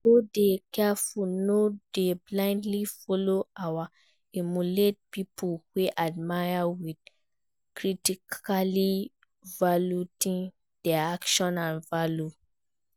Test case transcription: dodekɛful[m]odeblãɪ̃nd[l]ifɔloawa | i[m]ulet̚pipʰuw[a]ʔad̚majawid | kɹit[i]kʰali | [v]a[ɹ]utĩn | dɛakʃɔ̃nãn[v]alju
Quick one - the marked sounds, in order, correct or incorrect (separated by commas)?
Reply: incorrect, correct, correct, incorrect, correct, correct, incorrect, correct